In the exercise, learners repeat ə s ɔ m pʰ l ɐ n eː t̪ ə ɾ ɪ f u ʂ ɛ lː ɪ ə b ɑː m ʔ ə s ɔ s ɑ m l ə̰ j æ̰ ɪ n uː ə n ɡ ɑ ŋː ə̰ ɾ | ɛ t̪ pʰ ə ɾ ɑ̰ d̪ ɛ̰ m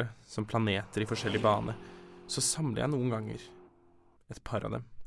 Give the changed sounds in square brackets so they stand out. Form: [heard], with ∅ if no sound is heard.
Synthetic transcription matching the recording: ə s ɔ m pʰ l [ɑ] n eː t̪ ə ɾ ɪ f [ɔ] ʂ ɛ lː ɪ ə b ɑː [n] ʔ ə s ɔ s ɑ m l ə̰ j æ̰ ɪ n uː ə n ɡ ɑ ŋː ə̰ ɾ | ɛ t̪ pʰ [ɑ] ɾ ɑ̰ d̪ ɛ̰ m